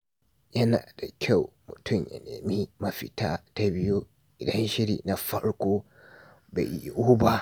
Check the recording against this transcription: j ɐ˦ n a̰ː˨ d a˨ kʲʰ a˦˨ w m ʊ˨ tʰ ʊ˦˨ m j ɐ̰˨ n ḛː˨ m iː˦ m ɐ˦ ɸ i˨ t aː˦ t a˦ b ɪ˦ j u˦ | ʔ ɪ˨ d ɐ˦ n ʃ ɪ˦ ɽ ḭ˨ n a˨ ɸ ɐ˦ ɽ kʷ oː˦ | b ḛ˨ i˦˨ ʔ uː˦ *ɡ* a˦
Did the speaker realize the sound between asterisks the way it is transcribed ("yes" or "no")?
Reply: no